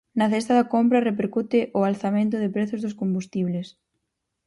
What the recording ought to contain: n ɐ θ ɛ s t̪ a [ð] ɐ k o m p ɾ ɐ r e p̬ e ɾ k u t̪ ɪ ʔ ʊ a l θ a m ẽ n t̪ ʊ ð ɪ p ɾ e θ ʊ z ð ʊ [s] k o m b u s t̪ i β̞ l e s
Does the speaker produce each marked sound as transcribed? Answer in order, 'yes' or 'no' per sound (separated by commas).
yes, yes